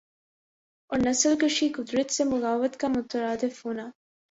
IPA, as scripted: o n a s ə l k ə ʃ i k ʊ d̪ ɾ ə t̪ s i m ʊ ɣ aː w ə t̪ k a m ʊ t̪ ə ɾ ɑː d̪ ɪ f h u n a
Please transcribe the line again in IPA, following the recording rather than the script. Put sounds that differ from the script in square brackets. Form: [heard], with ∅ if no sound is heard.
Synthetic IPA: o n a s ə l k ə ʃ i k ʊ d̪ ɾ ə t̪ s [e] m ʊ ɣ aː w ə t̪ k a m ʊ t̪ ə ɾ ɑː d̪ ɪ f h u n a